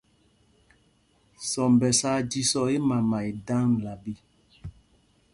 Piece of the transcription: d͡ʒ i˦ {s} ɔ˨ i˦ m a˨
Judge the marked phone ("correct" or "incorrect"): correct